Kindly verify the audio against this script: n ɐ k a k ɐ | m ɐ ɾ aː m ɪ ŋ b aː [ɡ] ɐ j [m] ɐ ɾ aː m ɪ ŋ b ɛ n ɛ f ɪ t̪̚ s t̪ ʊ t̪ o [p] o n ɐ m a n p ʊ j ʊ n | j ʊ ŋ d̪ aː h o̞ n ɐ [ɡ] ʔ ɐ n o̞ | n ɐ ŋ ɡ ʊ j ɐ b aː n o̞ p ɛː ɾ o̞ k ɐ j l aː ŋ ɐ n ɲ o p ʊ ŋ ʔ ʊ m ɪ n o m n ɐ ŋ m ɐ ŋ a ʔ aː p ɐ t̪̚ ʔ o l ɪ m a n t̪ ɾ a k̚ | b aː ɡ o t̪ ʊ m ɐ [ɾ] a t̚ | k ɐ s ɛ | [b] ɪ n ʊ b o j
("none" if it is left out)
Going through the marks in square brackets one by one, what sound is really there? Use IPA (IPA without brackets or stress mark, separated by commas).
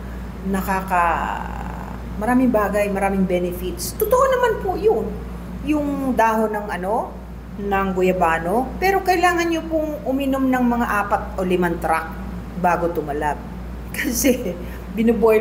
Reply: ɡ, m, ʔ, ŋ, l, b